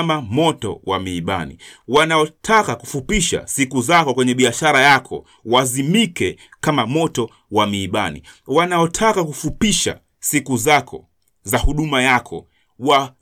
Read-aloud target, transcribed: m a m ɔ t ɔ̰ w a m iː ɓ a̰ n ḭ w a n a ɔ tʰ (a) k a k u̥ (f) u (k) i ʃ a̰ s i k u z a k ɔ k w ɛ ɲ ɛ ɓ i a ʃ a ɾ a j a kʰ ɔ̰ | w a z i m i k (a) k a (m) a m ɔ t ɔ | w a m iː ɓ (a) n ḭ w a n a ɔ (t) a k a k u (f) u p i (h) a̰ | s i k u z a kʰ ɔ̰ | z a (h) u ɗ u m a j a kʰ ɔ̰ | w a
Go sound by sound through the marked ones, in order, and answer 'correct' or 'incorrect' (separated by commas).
correct, correct, incorrect, incorrect, correct, correct, incorrect, correct, incorrect, correct